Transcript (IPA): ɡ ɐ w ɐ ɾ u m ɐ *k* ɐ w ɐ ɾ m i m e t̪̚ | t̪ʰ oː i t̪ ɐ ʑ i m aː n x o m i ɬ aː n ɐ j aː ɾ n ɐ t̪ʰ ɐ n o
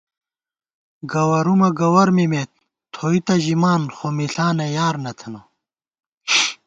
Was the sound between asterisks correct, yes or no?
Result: no